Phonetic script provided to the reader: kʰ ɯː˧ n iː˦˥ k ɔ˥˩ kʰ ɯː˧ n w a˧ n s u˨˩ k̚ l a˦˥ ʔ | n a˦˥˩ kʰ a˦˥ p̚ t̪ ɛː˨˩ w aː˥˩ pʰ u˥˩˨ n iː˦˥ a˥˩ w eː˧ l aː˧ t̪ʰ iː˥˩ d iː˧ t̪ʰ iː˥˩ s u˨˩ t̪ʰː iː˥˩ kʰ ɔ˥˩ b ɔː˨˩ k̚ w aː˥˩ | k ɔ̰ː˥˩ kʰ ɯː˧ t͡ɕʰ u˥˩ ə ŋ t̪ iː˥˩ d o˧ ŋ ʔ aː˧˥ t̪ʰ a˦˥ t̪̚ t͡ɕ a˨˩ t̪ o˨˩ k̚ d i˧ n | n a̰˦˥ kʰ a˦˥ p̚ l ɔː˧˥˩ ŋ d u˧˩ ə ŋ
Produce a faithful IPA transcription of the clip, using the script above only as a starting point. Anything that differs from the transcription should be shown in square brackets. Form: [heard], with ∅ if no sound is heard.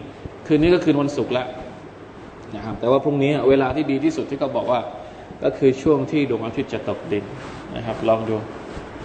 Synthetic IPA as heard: kʰ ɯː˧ n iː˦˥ k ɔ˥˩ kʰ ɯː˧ n w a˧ n s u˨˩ k̚ l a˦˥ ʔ | n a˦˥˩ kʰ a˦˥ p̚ t̪ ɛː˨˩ w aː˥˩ pʰ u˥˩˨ n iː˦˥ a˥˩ w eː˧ l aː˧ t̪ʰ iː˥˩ d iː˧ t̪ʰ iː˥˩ s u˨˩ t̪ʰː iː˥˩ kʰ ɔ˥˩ b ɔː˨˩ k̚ w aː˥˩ | k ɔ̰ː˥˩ kʰ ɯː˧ t͡ɕʰ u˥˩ ə ŋ [t̪ʰ] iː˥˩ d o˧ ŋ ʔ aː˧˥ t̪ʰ [i˦˥] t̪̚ t͡ɕ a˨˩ t̪ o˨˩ k̚ d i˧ n | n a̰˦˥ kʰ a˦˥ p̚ l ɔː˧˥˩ ŋ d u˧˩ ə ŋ